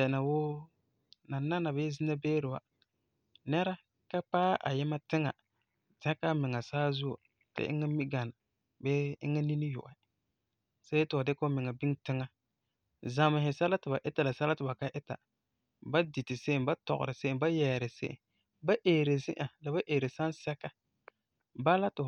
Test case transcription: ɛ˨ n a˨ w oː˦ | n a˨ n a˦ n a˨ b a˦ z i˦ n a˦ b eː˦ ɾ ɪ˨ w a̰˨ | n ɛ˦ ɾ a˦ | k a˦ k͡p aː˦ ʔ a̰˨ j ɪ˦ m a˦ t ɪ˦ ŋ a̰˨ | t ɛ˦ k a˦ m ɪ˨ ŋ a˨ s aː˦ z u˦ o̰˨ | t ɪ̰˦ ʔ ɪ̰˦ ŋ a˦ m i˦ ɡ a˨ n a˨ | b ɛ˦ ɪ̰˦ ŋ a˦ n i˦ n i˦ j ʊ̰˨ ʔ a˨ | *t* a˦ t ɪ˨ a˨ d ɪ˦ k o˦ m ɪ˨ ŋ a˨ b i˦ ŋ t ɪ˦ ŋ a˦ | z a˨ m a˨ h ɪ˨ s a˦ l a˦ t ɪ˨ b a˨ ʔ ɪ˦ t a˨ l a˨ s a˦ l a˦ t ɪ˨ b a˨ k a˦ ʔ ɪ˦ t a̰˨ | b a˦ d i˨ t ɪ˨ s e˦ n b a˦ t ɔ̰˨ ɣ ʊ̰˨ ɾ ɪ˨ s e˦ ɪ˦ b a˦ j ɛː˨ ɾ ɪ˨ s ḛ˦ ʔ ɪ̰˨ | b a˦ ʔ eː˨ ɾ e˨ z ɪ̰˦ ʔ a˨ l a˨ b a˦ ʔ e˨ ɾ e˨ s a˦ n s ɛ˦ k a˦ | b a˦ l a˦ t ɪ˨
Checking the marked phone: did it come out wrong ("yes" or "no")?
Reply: yes